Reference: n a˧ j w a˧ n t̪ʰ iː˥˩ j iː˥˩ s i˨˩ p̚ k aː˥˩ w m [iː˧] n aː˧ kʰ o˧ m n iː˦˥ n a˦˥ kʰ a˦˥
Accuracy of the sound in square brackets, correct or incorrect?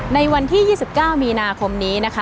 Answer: correct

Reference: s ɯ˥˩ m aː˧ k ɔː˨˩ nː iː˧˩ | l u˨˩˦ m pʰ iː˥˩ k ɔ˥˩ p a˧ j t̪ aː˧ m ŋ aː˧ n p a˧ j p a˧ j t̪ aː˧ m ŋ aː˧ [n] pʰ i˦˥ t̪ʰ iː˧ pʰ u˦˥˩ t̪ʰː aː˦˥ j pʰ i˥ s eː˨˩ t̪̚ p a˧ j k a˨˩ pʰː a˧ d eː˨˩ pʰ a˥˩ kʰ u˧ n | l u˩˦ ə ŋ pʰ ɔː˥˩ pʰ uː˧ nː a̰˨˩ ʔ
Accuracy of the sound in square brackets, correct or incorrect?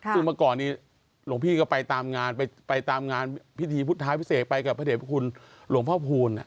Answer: correct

